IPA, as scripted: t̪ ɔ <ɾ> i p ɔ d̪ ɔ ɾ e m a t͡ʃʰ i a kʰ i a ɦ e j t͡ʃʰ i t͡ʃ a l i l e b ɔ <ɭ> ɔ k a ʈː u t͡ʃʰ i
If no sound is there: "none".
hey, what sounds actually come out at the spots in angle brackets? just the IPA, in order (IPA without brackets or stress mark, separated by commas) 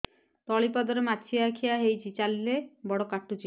ɭ, ɽ